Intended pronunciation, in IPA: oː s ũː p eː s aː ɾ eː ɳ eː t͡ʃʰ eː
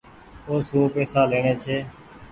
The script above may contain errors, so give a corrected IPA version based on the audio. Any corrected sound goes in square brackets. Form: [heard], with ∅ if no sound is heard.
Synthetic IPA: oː s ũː p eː s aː [l] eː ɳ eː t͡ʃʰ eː